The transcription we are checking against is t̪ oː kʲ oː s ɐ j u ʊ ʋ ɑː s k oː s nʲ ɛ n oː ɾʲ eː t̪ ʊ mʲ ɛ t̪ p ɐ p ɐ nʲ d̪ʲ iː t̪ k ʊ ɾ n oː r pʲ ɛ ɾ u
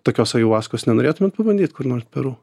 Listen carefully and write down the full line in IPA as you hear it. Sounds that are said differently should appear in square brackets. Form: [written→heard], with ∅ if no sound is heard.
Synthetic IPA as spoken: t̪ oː kʲ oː s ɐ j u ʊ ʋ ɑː s k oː s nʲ ɛ n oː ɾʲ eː t̪ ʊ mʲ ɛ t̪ p ɐ [p→b] ɐ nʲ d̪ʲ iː t̪ k ʊ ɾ n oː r pʲ ɛ ɾ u